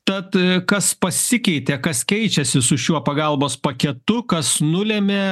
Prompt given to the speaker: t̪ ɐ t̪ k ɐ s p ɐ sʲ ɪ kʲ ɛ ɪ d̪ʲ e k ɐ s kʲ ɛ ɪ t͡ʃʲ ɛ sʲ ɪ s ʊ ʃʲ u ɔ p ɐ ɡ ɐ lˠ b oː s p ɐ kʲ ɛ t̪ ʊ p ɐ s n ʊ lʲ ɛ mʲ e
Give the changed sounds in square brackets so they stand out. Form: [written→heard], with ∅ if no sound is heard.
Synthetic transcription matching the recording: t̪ ɐ t̪ k ɐ s p ɐ sʲ ɪ kʲ ɛ ɪ [d̪ʲ→t̪ʲ] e k ɐ s kʲ ɛ ɪ t͡ʃʲ ɛ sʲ ɪ s ʊ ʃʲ u ɔ p ɐ ɡ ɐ lˠ b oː s p ɐ kʲ ɛ t̪ ʊ [p→k] ɐ s n ʊ lʲ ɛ mʲ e